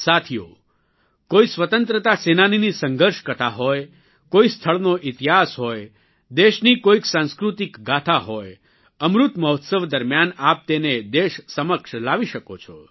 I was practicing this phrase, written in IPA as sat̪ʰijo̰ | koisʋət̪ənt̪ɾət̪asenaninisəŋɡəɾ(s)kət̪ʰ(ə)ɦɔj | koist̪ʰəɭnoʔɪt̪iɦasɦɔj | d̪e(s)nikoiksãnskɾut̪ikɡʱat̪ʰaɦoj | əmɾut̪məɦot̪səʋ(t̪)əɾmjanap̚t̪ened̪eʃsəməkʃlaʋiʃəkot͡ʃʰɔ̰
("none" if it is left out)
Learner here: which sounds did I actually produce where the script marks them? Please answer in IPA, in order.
ʃ, a, ʃ, d̪

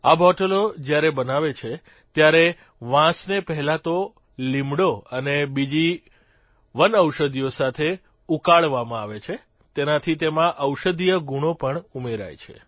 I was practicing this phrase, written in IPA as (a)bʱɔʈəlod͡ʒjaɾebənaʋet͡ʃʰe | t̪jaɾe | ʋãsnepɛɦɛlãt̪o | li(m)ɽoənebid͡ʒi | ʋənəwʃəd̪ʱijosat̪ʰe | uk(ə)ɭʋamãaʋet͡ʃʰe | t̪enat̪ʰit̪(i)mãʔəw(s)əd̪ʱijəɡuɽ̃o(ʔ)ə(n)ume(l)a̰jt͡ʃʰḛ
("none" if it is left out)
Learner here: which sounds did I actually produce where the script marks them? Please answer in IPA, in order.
a, m, a, e, ʃ, p, ɳ, ɾ

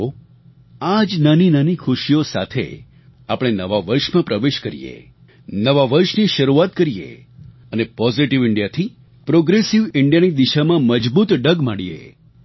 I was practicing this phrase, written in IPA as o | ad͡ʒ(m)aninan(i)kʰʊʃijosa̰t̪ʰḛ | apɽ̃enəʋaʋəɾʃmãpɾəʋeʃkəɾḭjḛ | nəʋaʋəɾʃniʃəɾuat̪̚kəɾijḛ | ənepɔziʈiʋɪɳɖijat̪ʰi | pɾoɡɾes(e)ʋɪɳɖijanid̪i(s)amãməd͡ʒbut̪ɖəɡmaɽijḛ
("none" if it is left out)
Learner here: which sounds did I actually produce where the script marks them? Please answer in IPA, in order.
n, i, i, ʃ

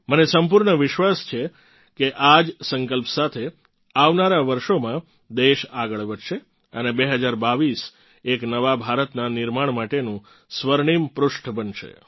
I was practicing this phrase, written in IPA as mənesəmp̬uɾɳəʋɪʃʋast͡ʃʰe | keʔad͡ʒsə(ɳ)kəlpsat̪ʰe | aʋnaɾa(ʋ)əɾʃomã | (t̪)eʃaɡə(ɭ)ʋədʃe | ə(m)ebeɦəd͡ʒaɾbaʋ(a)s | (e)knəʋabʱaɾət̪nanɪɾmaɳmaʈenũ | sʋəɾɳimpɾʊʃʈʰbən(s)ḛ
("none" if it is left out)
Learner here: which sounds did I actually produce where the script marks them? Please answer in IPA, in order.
ŋ, ʋ, d̪, ɭ, n, i, e, ʃ

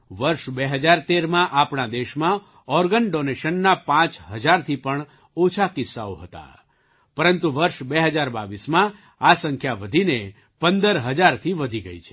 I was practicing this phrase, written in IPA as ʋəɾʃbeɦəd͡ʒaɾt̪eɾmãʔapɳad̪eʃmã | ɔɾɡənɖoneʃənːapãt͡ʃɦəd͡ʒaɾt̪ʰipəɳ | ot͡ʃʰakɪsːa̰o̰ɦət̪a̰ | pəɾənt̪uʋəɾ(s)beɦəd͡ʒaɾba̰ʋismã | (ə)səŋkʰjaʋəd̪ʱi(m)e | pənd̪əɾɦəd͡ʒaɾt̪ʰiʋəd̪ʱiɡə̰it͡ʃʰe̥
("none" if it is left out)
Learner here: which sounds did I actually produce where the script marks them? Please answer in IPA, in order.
ʃ, a, n

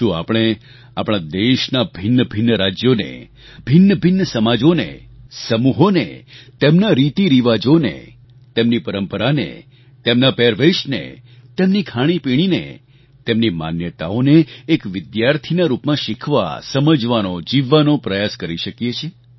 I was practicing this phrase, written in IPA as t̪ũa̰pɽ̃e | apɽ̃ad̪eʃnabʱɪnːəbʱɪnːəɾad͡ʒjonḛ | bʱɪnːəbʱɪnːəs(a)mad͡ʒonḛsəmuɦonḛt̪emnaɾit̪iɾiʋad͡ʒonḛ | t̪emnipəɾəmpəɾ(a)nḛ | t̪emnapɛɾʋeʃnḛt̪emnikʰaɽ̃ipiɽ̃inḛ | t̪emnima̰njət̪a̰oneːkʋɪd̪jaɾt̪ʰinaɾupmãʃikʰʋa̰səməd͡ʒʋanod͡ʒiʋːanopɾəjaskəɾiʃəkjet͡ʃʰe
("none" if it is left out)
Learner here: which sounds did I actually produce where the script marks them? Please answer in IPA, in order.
ə, a

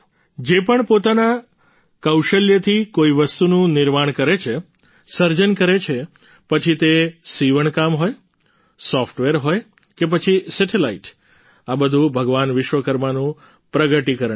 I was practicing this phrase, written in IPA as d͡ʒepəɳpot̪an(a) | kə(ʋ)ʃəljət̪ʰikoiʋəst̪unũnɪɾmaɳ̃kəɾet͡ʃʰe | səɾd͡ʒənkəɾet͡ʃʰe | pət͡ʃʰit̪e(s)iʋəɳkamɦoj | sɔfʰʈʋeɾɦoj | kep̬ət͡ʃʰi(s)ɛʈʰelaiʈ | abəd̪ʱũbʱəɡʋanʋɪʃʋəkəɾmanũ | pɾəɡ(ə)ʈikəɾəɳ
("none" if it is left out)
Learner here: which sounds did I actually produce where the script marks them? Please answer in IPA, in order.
a, w, s, s, ə

